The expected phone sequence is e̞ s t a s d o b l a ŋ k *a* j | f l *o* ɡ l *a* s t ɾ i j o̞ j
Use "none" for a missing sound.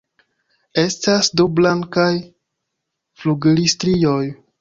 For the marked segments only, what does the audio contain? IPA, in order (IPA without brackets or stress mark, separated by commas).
a, u, i